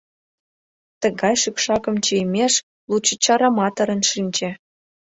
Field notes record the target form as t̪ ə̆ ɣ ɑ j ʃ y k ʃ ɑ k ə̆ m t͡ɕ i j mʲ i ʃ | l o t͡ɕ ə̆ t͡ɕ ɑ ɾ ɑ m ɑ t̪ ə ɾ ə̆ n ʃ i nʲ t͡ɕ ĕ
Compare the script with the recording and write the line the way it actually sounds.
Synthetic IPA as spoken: t̪ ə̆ ɣ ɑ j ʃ y k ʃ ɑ k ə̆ m t͡ɕ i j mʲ e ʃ | l u t͡ɕ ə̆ t͡ɕ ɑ ɾ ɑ m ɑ t̪ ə ɾ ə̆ n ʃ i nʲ t͡ɕ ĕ